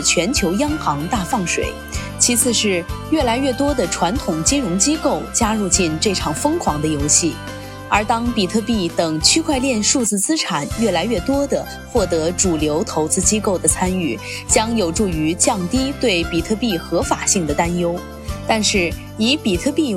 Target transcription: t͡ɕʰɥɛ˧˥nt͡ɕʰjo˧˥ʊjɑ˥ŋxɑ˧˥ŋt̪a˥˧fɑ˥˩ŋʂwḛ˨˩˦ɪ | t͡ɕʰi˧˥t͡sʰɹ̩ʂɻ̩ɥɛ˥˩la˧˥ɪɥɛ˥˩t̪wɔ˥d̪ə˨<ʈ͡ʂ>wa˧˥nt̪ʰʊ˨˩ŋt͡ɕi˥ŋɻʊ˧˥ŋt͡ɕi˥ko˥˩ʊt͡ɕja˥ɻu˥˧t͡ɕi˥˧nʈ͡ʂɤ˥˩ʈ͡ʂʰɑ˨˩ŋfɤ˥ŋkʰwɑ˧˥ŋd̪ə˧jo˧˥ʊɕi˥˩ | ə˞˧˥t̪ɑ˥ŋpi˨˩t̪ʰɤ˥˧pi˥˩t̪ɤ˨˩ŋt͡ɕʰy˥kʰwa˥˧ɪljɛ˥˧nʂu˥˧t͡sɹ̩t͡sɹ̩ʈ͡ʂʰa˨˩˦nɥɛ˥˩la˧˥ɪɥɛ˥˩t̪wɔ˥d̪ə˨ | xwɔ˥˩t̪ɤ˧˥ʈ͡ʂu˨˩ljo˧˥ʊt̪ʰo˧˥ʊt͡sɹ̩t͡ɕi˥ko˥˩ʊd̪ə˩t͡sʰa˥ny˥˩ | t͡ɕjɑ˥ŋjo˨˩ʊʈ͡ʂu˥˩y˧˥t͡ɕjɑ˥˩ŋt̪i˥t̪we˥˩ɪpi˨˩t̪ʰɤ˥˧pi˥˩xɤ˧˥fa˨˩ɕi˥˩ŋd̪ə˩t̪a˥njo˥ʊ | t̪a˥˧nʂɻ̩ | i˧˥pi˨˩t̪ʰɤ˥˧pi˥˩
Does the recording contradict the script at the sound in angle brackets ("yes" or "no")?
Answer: yes